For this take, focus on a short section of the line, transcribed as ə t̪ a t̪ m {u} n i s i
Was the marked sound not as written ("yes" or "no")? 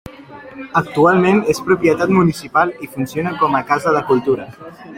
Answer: no